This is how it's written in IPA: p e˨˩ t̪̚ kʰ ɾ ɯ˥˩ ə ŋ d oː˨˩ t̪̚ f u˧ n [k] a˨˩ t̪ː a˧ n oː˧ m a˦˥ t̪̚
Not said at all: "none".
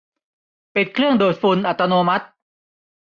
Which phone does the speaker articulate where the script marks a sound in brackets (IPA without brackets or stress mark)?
ʔ